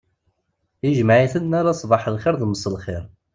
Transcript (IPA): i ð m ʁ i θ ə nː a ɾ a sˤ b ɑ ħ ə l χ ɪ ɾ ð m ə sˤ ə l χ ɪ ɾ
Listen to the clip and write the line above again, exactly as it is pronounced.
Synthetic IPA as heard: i ʒ m ʕ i θ ə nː a ɾ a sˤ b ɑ ħ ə l χ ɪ ɾ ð m ə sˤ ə l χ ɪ ɾ